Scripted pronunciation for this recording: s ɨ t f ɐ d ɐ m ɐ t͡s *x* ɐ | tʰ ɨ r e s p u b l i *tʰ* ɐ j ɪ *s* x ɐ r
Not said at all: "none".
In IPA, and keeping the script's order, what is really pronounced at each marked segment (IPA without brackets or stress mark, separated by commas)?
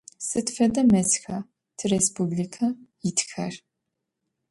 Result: x, kʰ, t